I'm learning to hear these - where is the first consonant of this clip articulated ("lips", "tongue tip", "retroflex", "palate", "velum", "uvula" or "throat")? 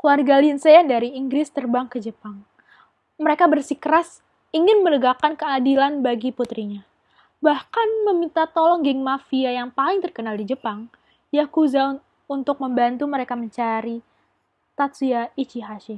velum